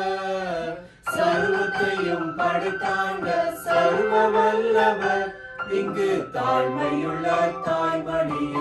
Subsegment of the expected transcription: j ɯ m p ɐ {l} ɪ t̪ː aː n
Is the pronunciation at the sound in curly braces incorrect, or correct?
incorrect